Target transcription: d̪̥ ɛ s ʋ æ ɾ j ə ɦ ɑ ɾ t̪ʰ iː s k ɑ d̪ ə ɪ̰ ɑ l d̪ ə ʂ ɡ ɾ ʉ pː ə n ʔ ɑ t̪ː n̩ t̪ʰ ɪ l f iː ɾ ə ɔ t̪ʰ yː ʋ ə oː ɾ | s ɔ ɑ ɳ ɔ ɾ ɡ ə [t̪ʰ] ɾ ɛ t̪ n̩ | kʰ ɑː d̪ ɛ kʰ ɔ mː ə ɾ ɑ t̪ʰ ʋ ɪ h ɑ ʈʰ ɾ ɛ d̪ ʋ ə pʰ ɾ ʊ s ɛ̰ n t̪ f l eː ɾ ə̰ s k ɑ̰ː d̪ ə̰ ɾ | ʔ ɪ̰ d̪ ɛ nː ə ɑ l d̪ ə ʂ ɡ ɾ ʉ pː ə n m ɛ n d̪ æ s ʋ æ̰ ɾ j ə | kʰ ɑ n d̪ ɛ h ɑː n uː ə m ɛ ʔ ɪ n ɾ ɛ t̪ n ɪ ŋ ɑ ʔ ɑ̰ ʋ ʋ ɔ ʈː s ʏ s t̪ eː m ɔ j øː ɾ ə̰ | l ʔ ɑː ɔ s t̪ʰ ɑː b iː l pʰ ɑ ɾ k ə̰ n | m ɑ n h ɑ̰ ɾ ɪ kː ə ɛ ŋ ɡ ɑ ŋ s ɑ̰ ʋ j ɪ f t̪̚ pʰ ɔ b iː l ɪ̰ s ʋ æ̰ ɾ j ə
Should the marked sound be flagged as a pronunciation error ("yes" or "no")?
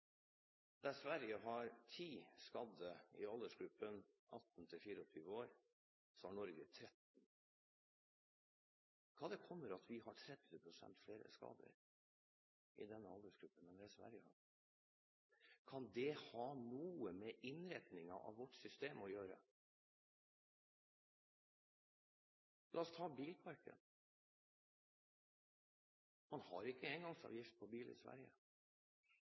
no